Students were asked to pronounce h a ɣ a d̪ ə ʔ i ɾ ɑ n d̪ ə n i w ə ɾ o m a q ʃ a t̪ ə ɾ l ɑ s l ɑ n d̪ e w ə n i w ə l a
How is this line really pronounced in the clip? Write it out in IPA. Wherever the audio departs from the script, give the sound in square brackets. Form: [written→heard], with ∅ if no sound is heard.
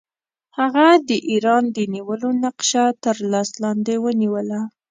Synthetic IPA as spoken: h a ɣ a d̪ ə ʔ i ɾ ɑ n d̪ ə n i w ə [ɾ→l] o [m→n] a q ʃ a t̪ ə ɾ l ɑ s l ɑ n d̪ e w ə n i w ə l a